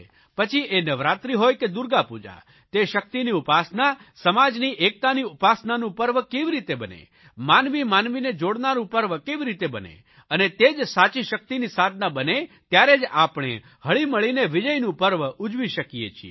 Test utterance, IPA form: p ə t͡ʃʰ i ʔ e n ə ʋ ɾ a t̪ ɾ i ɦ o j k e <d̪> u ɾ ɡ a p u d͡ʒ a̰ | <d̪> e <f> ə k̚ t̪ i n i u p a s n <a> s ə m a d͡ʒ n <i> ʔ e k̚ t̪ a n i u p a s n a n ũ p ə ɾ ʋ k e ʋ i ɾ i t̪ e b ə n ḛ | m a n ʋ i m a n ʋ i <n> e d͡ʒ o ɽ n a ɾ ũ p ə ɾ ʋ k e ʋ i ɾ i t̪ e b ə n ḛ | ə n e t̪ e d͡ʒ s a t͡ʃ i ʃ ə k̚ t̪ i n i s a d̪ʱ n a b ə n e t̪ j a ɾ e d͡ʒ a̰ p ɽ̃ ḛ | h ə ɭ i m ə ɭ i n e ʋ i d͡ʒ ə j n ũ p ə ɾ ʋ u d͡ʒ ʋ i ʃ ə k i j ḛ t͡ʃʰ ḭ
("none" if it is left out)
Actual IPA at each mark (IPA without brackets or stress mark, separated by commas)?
d̪, t̪, ʃ, a, i, n